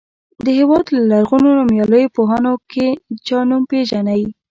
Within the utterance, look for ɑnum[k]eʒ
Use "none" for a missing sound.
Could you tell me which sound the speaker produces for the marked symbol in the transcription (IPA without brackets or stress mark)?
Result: p